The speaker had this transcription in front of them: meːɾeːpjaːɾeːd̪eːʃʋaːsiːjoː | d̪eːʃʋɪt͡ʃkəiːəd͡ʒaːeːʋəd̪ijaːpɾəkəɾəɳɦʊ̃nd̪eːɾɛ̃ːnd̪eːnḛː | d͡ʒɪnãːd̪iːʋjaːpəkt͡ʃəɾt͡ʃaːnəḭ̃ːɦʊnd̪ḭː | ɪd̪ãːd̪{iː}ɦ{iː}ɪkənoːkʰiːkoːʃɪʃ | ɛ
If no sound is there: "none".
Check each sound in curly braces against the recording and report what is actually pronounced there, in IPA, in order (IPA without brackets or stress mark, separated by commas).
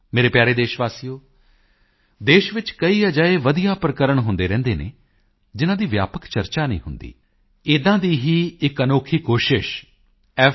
iː, iː